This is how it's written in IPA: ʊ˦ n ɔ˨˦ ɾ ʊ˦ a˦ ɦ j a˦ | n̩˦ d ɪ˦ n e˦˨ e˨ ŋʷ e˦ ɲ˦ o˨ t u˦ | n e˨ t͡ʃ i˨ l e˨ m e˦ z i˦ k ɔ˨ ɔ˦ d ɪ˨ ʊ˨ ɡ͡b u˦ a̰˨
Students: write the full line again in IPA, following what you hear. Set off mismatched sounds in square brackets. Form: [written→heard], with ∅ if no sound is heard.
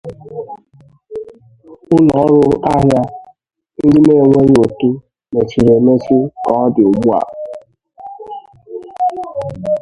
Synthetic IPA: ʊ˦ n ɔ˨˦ ɾ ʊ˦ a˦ ɦ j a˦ | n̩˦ d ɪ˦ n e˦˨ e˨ ŋʷ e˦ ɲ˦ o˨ t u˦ | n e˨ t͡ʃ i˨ [l→ɾ] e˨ m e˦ [z→s] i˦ k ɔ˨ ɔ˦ d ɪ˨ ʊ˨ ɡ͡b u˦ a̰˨